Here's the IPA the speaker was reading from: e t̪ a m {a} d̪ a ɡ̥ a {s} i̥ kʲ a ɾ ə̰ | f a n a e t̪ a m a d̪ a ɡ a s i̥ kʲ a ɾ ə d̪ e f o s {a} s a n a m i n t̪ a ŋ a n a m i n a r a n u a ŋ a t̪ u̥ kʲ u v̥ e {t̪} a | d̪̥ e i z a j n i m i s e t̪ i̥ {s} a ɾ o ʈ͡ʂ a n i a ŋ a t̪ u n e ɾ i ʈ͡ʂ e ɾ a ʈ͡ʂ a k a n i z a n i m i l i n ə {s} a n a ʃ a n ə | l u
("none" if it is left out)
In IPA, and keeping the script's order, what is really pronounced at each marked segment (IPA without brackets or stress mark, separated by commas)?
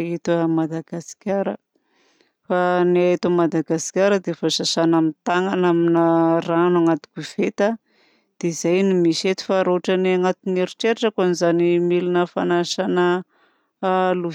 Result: a, s, a, t̪, f, f